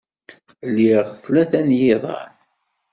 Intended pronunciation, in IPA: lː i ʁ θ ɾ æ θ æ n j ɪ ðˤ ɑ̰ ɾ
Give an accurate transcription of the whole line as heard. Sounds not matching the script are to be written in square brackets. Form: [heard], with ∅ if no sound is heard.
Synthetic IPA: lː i ʁ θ [l] æ θ æ n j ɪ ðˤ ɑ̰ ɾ